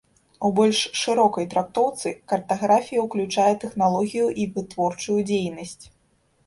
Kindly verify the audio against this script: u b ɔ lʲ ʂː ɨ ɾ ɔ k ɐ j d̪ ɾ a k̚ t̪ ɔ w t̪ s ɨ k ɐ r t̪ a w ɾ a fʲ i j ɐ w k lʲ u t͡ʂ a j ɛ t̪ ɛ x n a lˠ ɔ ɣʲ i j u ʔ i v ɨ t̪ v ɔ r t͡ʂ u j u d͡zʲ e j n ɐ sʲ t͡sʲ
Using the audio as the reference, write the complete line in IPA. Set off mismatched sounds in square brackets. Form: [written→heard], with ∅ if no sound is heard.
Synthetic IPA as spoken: u b ɔ lʲ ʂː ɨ ɾ ɔ k ɐ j [d̪→t̪] ɾ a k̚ t̪ ɔ w t̪ s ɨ k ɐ r t̪ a [w→ɣ] ɾ a fʲ i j ɐ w k lʲ u t͡ʂ a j ɛ t̪ ɛ x n a lˠ ɔ ɣʲ i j u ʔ i v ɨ t̪ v ɔ r t͡ʂ u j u d͡zʲ e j n ɐ sʲ t͡sʲ